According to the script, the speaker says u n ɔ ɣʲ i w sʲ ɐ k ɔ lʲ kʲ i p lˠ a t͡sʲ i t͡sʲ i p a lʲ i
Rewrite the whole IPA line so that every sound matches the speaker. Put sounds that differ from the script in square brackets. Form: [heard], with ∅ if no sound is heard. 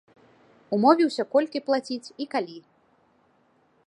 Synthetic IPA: u [m] ɔ [vʲ] i w sʲ ɐ k ɔ lʲ kʲ i p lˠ a t͡sʲ i t͡sʲ i [k] a lʲ i